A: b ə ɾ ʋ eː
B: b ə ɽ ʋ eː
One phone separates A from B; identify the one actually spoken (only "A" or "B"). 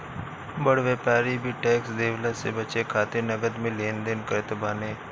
B